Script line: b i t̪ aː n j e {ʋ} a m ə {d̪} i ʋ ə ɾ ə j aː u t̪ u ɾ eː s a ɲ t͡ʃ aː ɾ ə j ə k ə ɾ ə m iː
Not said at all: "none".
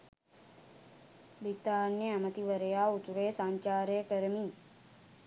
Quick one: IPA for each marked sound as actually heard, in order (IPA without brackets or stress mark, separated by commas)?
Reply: none, t̪